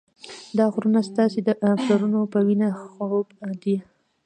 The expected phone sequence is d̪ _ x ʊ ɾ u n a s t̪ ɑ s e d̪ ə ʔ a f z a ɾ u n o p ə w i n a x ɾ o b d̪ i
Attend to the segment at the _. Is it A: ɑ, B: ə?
A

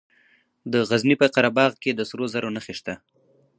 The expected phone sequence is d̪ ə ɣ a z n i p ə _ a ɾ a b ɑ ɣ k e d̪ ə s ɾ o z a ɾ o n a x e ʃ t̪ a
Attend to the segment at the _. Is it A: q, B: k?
A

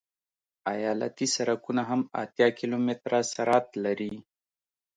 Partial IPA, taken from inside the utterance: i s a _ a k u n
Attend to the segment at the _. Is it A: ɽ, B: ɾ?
B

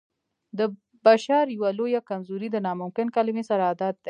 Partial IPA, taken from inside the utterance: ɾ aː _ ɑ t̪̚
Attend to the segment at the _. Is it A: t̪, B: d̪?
B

